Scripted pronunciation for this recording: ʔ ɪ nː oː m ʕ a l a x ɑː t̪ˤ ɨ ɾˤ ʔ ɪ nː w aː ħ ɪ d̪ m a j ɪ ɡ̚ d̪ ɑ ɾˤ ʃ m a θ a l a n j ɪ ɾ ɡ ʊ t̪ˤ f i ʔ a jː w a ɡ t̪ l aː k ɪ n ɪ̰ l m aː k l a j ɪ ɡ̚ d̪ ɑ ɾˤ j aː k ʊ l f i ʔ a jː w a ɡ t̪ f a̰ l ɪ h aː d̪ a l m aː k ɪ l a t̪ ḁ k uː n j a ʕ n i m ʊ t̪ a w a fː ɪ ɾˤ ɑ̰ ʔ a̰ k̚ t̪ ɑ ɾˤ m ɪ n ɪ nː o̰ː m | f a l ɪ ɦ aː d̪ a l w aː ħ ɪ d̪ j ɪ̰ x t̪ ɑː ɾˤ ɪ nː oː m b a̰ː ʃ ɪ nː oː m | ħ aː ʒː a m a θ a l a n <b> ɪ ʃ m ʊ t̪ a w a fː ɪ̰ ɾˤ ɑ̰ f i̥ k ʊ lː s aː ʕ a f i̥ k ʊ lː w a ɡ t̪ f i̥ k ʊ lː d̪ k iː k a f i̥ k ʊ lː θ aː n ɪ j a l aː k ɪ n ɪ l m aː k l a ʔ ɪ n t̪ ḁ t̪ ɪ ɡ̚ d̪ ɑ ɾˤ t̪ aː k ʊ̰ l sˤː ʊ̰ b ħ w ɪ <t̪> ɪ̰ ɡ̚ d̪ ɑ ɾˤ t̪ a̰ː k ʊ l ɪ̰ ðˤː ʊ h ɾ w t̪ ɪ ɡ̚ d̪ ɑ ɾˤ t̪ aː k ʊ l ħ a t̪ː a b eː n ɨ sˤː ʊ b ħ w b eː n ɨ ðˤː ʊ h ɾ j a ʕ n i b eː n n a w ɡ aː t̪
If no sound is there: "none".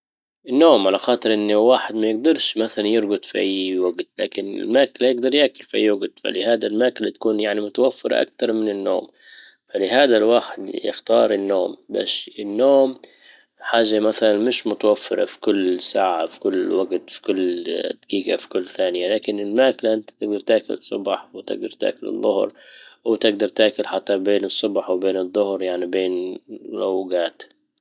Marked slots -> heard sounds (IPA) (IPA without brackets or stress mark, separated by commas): m, t̪